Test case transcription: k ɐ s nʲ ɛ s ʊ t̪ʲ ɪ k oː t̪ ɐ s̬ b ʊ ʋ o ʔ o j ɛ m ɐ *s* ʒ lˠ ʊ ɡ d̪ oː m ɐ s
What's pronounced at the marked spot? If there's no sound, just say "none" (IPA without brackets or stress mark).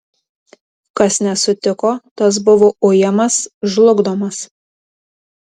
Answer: s